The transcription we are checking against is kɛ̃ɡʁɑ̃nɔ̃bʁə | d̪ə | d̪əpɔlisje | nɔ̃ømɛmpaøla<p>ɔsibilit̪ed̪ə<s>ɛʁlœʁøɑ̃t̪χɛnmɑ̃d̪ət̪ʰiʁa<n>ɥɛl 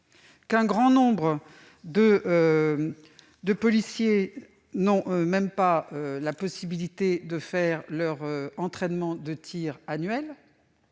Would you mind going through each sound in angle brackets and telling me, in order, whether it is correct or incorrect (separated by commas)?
correct, incorrect, correct